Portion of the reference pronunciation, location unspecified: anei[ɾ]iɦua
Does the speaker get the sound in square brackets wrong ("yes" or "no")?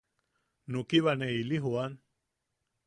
yes